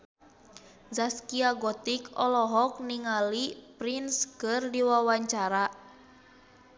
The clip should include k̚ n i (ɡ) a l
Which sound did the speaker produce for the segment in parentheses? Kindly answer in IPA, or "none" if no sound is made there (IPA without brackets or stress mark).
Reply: ŋ